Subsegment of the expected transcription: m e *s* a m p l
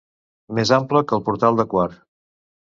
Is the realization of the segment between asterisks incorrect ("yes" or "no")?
yes